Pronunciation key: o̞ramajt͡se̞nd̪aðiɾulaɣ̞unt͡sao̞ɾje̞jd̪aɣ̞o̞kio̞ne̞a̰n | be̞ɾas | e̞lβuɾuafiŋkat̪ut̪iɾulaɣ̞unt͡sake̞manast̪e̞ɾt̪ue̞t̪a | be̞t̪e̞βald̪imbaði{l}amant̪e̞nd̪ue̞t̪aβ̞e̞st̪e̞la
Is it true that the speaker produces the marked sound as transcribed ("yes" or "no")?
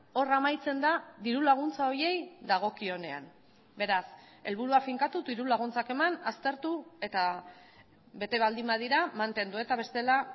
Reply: no